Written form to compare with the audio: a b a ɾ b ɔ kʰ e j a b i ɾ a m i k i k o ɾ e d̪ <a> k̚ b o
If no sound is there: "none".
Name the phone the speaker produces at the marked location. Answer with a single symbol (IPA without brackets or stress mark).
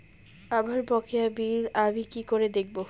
e